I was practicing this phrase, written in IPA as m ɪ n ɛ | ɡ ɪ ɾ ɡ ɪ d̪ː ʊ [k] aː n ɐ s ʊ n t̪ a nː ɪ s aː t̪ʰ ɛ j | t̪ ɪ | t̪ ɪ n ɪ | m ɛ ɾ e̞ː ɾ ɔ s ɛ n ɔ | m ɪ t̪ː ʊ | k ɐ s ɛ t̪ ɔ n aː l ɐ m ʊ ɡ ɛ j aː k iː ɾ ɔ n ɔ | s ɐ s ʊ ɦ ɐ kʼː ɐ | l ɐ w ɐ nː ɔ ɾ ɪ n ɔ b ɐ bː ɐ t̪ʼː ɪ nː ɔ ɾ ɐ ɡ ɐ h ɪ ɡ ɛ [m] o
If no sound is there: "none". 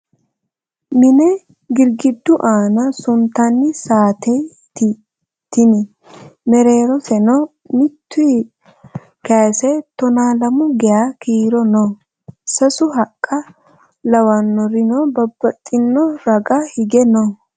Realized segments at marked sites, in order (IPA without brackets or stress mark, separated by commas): ʔ, n